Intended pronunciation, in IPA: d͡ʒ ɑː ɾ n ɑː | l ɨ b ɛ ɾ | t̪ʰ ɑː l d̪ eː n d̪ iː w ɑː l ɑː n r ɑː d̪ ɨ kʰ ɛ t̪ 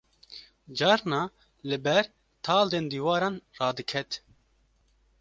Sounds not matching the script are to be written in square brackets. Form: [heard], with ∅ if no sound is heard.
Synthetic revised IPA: d͡ʒ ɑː ɾ n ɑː | l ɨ b ɛ ɾ | t̪ʰ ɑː l d̪ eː n d̪ iː w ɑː [ɾ] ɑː n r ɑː d̪ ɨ kʰ ɛ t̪